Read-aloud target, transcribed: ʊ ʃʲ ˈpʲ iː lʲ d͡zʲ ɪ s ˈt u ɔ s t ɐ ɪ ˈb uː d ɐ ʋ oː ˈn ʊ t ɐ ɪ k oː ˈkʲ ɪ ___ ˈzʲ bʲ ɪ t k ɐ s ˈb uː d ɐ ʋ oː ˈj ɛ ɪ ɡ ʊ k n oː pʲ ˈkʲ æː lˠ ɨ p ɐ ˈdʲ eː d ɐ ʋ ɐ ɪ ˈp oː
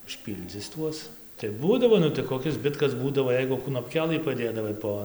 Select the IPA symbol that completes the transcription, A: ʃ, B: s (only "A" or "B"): B